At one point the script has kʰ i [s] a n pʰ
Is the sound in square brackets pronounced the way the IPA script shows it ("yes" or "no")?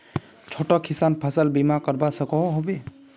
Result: yes